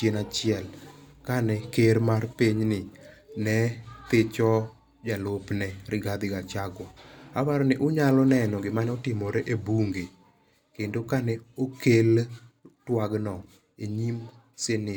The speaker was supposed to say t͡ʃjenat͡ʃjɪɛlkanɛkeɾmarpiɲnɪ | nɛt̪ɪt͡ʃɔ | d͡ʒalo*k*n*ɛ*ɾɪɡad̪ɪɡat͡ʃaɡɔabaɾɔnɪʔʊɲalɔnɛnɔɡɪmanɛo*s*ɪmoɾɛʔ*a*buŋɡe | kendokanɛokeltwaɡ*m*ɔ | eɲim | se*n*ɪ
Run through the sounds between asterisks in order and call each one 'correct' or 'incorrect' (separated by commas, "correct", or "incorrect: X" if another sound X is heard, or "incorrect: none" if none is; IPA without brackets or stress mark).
incorrect: p, correct, incorrect: t, incorrect: e, incorrect: n, correct